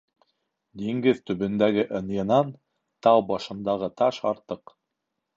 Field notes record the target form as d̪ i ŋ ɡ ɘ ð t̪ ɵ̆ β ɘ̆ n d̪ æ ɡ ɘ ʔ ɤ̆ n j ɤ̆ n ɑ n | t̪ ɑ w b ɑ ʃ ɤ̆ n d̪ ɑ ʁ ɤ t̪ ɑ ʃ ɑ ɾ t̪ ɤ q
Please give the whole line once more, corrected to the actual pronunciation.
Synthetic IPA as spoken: d̪ i ŋ ɡ ɘ ð t̪ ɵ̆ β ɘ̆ n d̪ æ ɡ ɘ ʔ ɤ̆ n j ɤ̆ n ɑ n | t̪ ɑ w b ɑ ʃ ɤ̆ n d̪ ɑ ʁ ɤ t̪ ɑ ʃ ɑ ɾ t̪ ɤ q